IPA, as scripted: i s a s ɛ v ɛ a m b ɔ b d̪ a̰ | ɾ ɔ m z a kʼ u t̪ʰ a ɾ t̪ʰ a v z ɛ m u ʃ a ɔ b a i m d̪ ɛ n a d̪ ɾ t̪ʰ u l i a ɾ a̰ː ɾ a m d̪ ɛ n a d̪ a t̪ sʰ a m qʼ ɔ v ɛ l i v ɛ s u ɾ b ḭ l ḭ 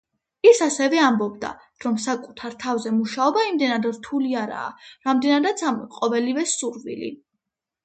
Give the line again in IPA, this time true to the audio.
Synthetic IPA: i s a s ɛ v ɛ a m b ɔ b d̪ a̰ | ɾ ɔ m s a kʼ u t̪ʰ a ɾ t̪ʰ a v z ɛ m u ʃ a ɔ b a i m d̪ ɛ n a d̪ ɾ t̪ʰ u l i a ɾ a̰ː ɾ a m d̪ ɛ n a d̪ a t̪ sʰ a m qʼ ɔ v ɛ l i v ɛ s u ɾ v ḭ l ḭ